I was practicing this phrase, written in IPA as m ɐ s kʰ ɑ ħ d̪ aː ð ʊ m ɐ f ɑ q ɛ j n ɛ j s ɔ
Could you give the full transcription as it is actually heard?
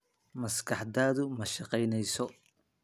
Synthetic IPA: m ɐ s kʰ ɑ ħ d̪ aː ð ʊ m ɐ ʃ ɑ q ɛ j n ɛ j s ɔ